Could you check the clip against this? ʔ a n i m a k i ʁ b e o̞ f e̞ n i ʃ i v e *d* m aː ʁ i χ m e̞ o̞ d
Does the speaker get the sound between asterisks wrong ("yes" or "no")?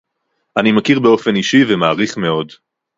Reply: yes